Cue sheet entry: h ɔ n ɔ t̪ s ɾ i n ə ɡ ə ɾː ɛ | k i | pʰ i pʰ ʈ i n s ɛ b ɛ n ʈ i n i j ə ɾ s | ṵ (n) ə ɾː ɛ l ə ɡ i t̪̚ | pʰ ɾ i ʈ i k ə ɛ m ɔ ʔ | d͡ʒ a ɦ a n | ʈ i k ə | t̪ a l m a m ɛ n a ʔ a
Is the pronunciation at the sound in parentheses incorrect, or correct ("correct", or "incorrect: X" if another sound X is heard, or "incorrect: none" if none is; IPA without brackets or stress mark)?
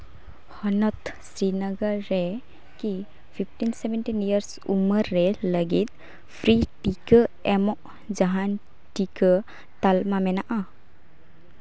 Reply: incorrect: m